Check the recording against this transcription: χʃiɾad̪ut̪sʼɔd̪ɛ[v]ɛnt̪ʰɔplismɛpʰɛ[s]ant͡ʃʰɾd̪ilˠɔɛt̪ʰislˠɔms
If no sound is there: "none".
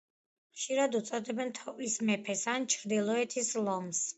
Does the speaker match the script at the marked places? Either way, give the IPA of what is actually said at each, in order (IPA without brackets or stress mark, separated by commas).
b, s